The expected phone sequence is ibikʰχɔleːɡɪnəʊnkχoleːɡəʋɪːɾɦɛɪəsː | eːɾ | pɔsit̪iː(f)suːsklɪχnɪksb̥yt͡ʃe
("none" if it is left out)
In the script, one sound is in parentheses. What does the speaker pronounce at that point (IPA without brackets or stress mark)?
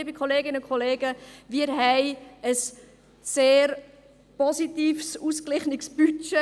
f